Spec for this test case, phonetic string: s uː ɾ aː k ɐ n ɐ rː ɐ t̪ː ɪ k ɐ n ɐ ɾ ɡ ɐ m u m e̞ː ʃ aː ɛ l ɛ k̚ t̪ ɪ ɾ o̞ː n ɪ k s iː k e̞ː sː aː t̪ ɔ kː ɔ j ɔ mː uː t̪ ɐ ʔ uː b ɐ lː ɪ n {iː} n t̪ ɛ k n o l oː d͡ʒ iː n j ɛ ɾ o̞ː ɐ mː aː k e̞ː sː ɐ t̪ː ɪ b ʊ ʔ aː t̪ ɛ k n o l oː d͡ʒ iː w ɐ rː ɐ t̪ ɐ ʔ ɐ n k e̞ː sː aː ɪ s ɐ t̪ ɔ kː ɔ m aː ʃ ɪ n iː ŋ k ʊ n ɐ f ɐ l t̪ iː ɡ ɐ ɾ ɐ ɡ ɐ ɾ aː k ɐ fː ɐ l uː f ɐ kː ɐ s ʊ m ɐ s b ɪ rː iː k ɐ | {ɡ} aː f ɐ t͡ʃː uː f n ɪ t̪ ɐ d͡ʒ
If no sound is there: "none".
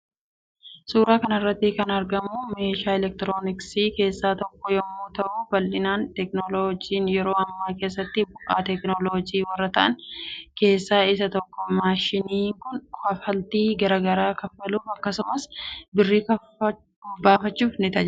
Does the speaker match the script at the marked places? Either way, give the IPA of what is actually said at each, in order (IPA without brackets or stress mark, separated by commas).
aː, b